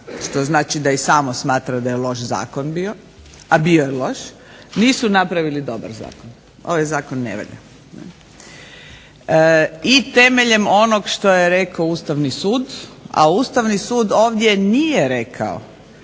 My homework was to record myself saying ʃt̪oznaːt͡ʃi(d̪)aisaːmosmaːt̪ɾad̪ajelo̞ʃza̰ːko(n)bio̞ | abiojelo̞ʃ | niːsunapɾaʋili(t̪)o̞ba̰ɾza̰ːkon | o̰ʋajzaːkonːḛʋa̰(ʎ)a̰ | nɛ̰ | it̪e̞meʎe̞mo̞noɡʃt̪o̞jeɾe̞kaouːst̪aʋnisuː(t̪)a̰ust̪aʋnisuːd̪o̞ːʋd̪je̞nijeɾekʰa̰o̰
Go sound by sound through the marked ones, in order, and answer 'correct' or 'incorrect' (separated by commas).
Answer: correct, correct, incorrect, correct, incorrect